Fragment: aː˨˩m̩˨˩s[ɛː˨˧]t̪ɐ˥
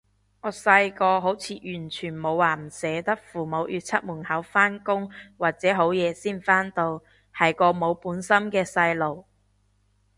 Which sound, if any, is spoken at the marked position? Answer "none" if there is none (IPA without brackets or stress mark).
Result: ɛː˨˧